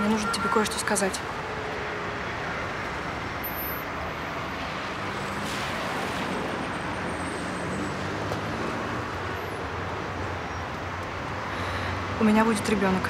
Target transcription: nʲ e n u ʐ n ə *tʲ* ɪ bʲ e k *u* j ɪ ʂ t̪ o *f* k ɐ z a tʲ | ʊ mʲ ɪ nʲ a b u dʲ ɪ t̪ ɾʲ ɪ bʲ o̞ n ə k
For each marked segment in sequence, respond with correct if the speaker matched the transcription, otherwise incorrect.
correct, incorrect: o, incorrect: s

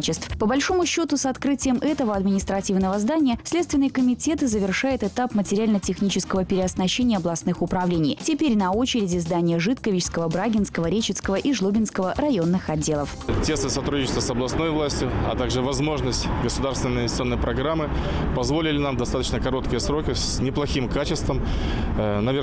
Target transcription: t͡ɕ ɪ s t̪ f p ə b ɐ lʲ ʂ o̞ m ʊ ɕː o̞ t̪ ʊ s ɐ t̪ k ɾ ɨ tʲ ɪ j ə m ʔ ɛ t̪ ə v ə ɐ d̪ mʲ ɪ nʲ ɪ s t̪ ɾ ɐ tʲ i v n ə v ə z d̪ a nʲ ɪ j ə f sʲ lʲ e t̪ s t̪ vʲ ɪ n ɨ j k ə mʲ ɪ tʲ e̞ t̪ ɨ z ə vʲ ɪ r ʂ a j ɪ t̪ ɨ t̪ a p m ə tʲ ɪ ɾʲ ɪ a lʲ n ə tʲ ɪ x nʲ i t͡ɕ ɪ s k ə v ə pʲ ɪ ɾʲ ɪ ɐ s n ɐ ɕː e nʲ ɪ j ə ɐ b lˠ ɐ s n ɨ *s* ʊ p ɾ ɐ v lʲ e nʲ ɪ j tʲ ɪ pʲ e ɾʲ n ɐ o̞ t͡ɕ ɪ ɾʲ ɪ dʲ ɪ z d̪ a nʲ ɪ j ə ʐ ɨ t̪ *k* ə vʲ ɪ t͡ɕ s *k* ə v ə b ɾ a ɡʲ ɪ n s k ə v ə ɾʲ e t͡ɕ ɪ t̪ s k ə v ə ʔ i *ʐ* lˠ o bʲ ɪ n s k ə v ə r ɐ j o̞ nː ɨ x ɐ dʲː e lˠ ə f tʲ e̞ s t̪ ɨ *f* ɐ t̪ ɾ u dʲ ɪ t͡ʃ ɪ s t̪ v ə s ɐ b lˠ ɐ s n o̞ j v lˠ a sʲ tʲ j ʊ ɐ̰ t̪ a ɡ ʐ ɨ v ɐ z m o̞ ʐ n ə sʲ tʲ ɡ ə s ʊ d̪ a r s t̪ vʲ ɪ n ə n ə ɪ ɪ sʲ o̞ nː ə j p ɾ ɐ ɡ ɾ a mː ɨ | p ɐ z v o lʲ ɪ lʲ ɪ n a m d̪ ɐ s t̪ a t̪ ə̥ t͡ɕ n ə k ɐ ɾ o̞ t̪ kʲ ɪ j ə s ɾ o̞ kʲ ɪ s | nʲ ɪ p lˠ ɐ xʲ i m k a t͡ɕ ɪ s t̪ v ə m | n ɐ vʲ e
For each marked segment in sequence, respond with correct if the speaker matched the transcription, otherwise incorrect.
incorrect: x, correct, correct, correct, incorrect: s

